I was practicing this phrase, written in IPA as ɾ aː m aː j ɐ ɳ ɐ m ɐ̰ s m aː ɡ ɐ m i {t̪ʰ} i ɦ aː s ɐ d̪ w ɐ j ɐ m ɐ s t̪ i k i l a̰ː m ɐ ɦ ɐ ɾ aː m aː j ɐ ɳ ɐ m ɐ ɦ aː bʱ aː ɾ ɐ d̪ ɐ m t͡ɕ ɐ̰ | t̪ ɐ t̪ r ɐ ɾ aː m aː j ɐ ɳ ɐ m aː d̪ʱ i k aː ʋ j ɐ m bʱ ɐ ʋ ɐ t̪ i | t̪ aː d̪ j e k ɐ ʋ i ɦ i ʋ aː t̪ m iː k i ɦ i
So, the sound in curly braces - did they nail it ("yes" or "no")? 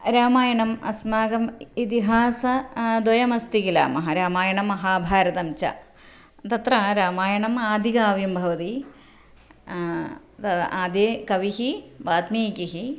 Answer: no